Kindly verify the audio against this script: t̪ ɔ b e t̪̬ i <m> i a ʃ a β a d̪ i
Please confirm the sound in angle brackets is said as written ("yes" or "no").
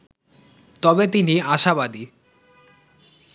no